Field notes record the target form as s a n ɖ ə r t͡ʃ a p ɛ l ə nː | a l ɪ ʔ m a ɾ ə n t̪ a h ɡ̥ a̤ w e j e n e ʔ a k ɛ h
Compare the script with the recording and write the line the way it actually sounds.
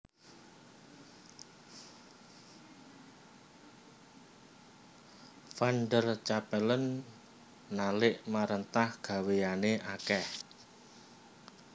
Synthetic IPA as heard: f a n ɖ ə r t͡ʃ a p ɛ l ə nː | a l ɪ ʔ m a ɾ ə n t̪ a h ɡ̥ a̤ w e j a n e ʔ a k ɛ h

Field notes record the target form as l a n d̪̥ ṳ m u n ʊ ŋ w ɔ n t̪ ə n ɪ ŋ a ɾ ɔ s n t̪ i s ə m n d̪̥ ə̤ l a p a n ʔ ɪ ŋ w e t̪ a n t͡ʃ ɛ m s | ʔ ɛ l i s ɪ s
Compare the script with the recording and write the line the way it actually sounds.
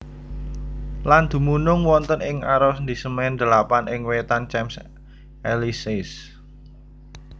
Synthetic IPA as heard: l a n d̪̥ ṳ m u n ʊ ŋ w ɔ n t̪ ə n ɪ ŋ a ɾ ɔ s n d̪ i s ə m n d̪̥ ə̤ l a p a n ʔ ɪ ŋ w e t̪ a n t͡ʃ ɛ m s | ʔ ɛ l i s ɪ s

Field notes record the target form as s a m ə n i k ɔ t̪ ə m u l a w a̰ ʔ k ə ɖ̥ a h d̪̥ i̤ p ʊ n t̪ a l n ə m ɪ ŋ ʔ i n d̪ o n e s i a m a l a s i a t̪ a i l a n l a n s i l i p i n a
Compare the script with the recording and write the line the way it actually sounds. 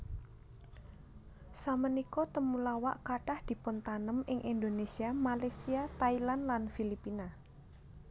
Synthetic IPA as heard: s a m ə n i k ɔ t̪ ə m u l a w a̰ ʔ k a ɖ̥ a h d̪̥ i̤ p ʊ n t̪ a n ə m ɪ ŋ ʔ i n d̪ o n e s i a m a l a s i a t̪ a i l a n l a n f i l i p i n a

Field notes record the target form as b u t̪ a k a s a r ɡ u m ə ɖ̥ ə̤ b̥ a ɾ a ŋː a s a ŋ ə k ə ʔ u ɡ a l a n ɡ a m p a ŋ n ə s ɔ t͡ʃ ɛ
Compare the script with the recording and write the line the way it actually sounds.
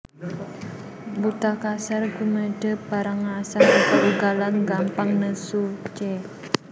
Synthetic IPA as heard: b u t̪ a k a s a r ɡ u m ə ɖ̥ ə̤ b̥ a ɾ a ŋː a s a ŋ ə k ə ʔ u ɡ a l a n ɡ a m p a ŋ n ə s u t͡ʃ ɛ

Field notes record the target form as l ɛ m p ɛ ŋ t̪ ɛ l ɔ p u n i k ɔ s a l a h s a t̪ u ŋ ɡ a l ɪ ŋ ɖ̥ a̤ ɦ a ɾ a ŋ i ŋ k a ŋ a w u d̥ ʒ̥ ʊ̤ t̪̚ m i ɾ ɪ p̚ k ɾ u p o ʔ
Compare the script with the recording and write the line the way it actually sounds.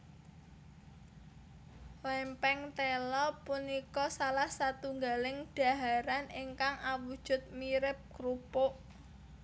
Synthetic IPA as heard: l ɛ m p ɛ ŋ t̪ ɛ l ɔ p u n i k ɔ s a l a h s a t̪ u ŋ ɡ a l ɪ ŋ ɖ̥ a̤ ɦ a ɾ a n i ŋ k a ŋ a w u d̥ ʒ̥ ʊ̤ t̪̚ m i ɾ ɪ p̚ k ɾ u p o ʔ

